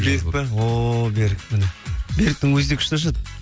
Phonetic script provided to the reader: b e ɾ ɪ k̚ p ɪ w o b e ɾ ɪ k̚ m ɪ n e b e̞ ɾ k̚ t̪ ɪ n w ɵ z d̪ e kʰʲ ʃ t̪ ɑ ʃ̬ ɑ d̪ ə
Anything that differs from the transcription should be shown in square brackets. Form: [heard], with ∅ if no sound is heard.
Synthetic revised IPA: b e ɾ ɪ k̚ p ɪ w o b e ɾ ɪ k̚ m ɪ n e b e̞ ɾ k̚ t̪ ɪ [ŋ] w ɵ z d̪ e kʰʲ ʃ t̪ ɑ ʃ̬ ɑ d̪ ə